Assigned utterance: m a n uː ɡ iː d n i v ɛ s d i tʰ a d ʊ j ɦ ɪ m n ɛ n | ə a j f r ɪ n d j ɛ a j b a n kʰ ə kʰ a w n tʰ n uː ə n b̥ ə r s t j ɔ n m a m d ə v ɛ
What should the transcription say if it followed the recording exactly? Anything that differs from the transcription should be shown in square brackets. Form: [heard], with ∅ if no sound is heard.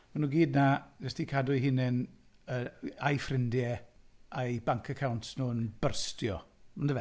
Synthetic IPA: m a n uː ɡ iː d n [a] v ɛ s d i [kʰ] a d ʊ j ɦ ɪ [∅] n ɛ n | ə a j f r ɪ n d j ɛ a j b a [ŋ] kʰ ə kʰ a w n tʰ n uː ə n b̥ ə r s t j ɔ [∅] m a [n] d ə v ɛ